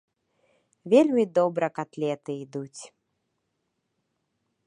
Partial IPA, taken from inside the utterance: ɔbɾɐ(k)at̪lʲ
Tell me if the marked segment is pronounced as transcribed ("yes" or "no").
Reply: yes